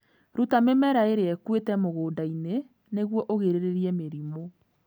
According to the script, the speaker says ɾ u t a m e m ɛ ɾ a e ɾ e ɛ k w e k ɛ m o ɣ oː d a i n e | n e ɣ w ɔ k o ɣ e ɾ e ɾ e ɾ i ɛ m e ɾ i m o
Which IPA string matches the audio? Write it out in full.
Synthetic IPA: ɾ u t a m e m ɛ ɾ a e ɾ e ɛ k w e t ɛ m o ɣ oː d a i n e | n e ɣ w ɔ ʔ o ɣ e ɾ e ɾ e ɾ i ɛ m e ɾ i m o